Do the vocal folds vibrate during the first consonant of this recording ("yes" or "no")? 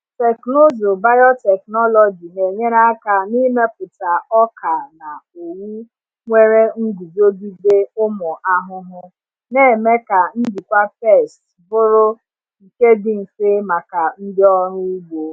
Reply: no